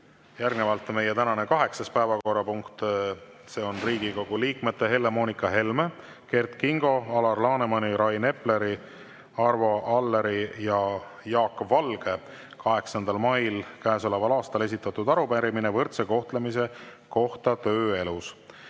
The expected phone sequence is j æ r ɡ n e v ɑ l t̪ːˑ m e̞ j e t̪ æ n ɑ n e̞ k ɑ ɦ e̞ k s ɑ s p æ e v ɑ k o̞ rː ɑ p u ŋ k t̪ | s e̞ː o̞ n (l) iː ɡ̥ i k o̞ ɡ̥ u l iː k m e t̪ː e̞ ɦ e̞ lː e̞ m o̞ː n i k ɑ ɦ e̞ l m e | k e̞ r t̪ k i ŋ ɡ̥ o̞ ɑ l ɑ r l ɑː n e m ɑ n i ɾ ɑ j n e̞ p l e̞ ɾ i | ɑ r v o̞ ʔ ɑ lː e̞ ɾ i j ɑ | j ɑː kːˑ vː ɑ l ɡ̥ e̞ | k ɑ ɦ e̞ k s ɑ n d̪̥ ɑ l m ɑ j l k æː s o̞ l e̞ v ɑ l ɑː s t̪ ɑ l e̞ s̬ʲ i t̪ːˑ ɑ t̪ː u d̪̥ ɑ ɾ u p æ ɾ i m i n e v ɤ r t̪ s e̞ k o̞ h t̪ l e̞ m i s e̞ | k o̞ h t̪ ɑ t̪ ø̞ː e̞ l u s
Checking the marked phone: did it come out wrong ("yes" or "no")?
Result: yes